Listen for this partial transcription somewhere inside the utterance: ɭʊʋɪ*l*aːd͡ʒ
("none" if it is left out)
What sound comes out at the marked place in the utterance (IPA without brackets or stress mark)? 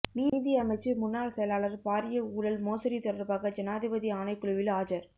l